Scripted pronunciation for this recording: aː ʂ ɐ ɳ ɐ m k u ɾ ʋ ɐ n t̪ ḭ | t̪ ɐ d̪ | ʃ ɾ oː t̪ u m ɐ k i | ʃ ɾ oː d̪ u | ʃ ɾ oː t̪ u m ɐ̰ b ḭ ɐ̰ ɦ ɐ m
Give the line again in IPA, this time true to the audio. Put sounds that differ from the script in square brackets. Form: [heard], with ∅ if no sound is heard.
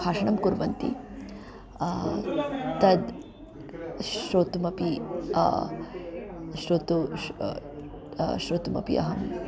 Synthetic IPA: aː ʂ ɐ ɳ ɐ m k u ɾ ʋ ɐ n t̪ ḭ | t̪ ɐ d̪ | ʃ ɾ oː t̪ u m ɐ [p] i | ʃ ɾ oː [t̪] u | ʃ ɾ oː t̪ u m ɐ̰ [p] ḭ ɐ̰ ɦ ɐ m

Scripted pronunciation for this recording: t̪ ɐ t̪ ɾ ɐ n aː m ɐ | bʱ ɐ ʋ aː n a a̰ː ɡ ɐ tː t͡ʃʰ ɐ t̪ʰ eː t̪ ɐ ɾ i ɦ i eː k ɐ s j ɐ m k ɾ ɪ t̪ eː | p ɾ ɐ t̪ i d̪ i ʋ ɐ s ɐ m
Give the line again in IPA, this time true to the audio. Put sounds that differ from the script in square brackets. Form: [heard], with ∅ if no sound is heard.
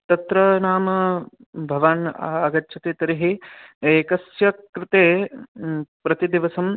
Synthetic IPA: t̪ ɐ t̪ ɾ ɐ n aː m ɐ | bʱ ɐ ʋ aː n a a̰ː ɡ ɐ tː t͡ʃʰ ɐ [t̪] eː t̪ ɐ ɾ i ɦ i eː k ɐ s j ɐ [∅] k ɾ ɪ t̪ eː | p ɾ ɐ t̪ i d̪ i ʋ ɐ s ɐ m

